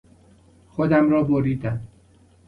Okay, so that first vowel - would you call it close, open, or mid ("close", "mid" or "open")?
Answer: mid